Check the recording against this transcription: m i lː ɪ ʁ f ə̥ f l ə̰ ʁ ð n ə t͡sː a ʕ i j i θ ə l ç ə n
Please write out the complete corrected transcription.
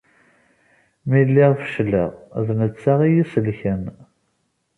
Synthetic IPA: m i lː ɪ ʁ f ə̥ ʃ l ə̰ ʁ ð n ə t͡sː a ʁ i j i s ə l ç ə n